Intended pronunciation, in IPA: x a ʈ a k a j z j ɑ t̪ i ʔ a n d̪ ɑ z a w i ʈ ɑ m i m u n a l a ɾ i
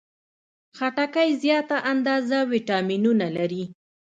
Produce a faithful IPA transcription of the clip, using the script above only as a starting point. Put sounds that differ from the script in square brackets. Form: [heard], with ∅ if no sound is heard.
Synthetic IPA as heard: x a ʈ a k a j z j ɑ t̪ [a] ʔ a n d̪ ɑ z a w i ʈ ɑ m i [n] u n a l a ɾ i